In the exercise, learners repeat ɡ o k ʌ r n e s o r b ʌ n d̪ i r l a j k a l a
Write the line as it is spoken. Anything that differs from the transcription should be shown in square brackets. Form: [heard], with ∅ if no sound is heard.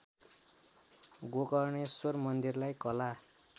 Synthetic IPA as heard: ɡ o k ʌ r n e s o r [m] ʌ n d̪ i r l a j k [ʌ] l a